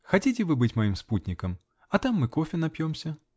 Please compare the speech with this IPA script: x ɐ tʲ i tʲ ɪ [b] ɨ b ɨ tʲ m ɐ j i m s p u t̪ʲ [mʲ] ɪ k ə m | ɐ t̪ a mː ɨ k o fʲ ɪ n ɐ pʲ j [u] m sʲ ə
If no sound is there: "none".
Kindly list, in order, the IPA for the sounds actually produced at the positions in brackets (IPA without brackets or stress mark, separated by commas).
v, nʲ, o